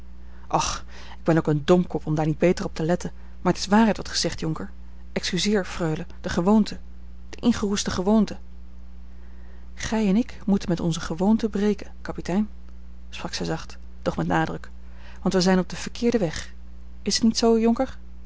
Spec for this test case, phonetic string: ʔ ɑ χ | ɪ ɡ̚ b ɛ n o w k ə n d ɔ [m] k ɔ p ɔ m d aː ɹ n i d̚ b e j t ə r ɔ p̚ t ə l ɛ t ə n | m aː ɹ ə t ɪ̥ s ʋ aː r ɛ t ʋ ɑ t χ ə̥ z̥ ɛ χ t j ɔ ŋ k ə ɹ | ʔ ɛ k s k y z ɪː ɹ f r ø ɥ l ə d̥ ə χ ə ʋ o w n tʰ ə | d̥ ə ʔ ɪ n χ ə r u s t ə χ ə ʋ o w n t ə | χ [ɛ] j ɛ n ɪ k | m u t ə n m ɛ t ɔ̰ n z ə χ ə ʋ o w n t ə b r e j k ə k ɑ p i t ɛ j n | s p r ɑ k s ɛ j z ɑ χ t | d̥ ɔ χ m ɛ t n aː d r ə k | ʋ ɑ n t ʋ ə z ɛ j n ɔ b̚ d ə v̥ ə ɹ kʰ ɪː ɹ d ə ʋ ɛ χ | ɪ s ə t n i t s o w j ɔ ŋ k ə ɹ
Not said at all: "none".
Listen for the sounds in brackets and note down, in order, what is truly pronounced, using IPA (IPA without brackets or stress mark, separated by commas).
m, ɛ